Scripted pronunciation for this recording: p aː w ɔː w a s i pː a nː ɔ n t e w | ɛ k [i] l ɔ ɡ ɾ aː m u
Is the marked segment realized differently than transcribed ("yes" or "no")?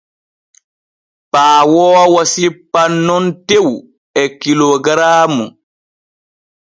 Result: no